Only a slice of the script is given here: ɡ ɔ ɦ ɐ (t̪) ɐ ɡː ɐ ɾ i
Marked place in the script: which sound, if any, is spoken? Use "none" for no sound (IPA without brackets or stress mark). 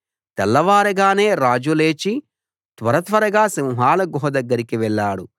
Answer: d̪